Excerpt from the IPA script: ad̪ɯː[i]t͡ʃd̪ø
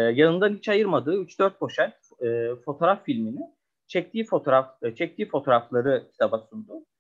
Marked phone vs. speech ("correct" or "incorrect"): incorrect